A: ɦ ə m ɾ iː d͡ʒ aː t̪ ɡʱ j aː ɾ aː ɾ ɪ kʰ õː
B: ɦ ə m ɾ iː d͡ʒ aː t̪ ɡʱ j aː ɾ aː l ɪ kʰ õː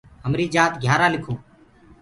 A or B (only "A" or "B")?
B